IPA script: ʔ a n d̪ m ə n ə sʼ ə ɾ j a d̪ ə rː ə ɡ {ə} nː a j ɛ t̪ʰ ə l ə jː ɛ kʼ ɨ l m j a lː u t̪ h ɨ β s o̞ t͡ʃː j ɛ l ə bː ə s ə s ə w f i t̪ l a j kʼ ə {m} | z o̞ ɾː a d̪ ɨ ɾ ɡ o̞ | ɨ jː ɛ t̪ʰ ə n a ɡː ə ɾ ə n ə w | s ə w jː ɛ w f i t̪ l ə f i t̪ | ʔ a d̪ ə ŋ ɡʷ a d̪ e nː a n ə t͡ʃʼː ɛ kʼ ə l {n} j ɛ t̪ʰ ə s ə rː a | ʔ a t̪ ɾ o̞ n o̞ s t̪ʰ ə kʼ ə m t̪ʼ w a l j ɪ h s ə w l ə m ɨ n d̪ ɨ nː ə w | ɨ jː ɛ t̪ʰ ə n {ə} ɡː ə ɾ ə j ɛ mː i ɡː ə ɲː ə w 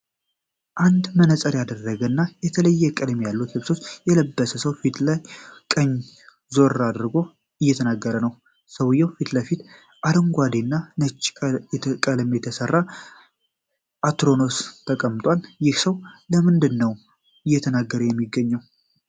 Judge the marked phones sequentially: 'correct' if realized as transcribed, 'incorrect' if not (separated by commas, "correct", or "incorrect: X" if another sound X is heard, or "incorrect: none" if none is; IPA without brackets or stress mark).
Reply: correct, incorrect: ɲ, incorrect: m, incorrect: a